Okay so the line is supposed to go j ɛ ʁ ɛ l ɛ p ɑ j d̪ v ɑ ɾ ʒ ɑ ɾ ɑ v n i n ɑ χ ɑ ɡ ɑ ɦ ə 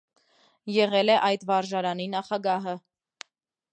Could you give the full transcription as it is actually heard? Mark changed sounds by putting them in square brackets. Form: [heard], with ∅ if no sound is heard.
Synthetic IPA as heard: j ɛ ʁ ɛ l ɛ [ʔ] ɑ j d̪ v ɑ ɾ ʒ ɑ ɾ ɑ [∅] n i n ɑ χ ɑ ɡ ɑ ɦ ə